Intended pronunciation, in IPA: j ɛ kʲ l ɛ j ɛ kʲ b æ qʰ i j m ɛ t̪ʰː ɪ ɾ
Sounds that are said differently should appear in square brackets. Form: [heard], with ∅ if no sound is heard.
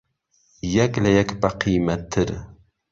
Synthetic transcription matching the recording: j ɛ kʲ l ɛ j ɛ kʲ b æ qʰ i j m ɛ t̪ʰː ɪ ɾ